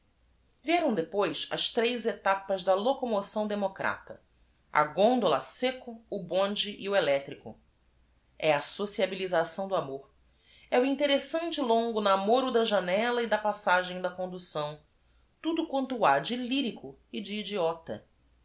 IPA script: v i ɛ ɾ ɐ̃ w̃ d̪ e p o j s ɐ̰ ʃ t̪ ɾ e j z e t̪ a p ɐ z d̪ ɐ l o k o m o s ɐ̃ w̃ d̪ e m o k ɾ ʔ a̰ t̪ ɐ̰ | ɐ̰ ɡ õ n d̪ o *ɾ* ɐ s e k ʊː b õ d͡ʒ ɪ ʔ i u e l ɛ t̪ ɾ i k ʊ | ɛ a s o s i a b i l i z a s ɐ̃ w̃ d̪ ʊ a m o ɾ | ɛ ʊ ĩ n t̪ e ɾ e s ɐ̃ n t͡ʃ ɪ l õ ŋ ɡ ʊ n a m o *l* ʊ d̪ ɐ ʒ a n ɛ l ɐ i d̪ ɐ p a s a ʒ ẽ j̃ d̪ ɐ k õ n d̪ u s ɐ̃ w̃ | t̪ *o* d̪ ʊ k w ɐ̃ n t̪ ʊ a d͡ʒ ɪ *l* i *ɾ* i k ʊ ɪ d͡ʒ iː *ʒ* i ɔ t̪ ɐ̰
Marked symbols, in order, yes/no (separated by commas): no, no, no, yes, yes, no